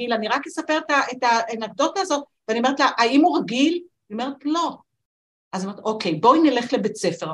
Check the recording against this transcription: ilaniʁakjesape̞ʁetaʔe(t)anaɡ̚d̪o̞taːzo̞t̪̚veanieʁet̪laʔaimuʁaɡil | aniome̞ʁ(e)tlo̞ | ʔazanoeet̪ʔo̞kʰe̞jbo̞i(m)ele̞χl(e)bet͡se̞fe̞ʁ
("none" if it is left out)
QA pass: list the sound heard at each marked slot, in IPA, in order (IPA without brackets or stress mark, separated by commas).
t, e, n, e